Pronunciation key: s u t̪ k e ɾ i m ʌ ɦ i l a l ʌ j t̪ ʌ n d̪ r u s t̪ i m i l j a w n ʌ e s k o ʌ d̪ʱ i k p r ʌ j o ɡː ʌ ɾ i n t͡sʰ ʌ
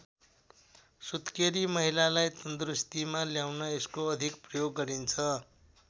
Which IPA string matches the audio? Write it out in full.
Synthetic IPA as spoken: s u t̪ k e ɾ i m ʌ ɦ i l a l a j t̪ ʌ n d̪ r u s t̪ i m a l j a w n ʌ e s k o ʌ d̪ʱ i k p r ʌ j o ɡː ʌ ɾ i n t͡sʰ ʌ